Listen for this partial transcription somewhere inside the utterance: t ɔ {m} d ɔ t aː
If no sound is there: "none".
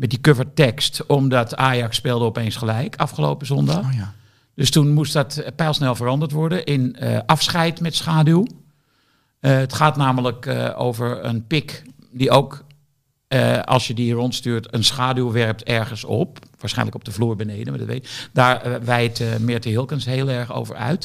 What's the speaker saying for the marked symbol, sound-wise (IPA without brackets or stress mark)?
m